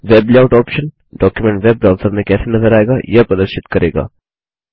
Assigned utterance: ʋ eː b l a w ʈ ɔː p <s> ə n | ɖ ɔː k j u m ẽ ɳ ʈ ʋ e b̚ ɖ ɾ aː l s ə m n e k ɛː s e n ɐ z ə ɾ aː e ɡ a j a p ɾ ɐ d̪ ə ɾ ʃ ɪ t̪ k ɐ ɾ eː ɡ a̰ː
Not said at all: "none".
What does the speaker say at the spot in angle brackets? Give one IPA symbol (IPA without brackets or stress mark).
ʃ